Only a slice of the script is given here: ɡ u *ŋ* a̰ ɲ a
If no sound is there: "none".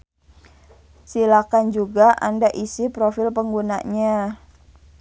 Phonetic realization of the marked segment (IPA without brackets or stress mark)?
n